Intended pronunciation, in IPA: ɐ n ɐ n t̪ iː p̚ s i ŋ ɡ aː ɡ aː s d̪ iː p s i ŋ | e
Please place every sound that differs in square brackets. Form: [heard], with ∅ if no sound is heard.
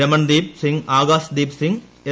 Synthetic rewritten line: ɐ [m] ɐ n [d̪] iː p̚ s i ŋ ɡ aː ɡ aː s d̪ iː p s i ŋ | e